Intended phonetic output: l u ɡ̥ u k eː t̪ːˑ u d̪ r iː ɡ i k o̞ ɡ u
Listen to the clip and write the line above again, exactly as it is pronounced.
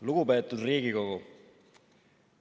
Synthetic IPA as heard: l u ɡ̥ u p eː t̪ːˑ u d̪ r iː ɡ i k o̞ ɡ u